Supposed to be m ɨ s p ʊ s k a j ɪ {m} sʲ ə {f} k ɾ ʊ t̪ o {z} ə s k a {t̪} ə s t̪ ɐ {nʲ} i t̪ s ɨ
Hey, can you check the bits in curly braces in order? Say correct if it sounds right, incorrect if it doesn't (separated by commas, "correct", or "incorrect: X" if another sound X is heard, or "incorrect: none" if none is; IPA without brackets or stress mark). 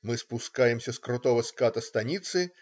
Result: correct, incorrect: s, incorrect: v, correct, correct